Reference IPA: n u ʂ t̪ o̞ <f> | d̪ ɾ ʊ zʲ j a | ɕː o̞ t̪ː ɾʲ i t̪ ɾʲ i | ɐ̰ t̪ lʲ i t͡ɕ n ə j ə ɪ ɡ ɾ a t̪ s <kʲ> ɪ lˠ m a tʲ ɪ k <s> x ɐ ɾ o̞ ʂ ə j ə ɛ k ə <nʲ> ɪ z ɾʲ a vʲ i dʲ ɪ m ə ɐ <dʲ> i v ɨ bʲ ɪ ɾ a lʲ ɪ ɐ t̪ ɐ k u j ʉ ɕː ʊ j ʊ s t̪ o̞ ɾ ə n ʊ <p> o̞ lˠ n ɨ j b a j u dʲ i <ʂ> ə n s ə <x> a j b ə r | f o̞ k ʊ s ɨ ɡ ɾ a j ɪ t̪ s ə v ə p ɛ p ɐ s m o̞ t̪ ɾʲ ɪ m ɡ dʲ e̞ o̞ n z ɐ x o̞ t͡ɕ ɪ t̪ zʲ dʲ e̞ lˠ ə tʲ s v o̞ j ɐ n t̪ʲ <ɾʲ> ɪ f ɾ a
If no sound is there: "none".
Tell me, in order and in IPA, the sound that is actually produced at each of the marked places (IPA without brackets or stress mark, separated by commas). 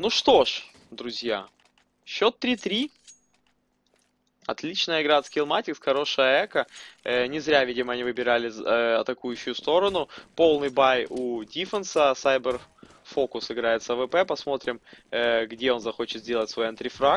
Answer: ʂ, kʲ, s, nʲ, nʲ, p, f, s, ɾʲ